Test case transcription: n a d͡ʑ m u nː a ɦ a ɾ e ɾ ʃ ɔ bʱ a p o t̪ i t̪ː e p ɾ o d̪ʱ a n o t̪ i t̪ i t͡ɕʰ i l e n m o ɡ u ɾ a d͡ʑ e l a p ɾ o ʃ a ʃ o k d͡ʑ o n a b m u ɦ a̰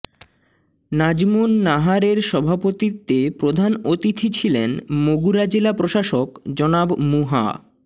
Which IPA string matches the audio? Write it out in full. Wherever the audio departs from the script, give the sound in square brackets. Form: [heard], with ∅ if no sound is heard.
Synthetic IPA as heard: n a d͡ʑ m u nː a ɦ a ɾ e ɾ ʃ ɔ bʱ a p o t̪ i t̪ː e p ɾ o d̪ʱ a n o t̪ i [t̪ʰ] i t͡ɕʰ i l e n m o ɡ u ɾ a d͡ʑ e l a p ɾ o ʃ a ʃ o k d͡ʑ [ɔ] n a b m u ɦ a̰